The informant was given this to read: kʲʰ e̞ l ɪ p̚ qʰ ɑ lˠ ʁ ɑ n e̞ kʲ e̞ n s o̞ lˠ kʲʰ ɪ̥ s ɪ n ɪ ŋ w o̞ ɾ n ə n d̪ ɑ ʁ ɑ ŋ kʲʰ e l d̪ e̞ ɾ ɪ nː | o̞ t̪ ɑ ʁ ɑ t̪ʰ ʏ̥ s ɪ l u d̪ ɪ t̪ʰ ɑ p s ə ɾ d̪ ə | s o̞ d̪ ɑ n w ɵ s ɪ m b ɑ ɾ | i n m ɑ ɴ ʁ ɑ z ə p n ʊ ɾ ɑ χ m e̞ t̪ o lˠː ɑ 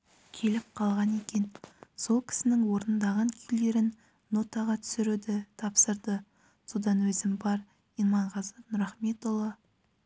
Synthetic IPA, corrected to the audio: kʲʰ e̞ l ɪ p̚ qʰ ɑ lˠ ʁ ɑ n e̞ kʲ e̞ n s o̞ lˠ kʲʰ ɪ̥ s ɪ n ɪ ŋ w o̞ ɾ n ə n d̪ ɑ ʁ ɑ ŋ kʲʰ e l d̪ e̞ ɾ ɪ nː | o̞ t̪ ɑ ʁ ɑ t̪ʰ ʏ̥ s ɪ ɾ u d̪ ɪ t̪ʰ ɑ p s ə ɾ d̪ ə | s o̞ d̪ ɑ n w ɵ z ɪ m b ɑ ɾ | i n m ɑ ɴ ʁ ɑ z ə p n ʊ ɾ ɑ χ m e̞ t̪ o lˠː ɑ